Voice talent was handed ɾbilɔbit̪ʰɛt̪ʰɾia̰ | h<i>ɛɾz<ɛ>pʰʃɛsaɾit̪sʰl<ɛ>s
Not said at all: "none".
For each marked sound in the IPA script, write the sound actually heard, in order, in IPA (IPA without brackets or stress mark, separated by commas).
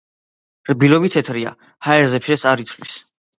a, ɛ, i